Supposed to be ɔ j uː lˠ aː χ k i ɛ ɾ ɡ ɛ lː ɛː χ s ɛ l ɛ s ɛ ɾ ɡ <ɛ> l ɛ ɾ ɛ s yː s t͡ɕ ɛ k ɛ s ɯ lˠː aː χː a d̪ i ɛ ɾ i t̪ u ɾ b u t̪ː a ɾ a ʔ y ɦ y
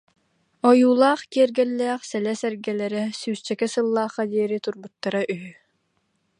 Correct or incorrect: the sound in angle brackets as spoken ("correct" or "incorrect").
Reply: correct